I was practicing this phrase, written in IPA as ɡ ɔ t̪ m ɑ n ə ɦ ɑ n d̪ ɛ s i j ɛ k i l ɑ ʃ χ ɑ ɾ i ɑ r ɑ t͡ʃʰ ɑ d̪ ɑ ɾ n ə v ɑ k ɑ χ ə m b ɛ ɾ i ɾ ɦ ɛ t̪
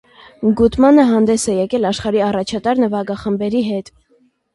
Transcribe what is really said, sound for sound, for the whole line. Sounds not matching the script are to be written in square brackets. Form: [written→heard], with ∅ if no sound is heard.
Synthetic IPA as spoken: ɡ [ɔ→u] t̪ m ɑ n ə ɦ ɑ n d̪ ɛ s [i→ɛ] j ɛ k [i→ɛ] l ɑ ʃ χ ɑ ɾ i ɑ r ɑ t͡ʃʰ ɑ [d̪→t̪] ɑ ɾ n ə v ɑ [k→ɡ] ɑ χ ə m b ɛ ɾ i [ɾ→∅] ɦ ɛ t̪